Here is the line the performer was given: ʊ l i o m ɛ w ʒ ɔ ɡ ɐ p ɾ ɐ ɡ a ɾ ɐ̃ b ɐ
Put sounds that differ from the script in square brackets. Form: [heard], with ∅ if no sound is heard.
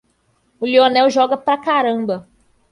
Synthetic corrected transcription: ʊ l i o [n] ɛ w ʒ ɔ ɡ ɐ p ɾ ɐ [k] a ɾ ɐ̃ b ɐ